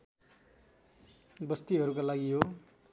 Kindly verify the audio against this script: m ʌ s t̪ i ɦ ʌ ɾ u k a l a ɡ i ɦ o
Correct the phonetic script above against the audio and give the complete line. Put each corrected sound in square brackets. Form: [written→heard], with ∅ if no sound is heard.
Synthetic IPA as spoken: [m→b] ʌ s t̪ i ɦ ʌ ɾ u k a l a ɡ i ɦ o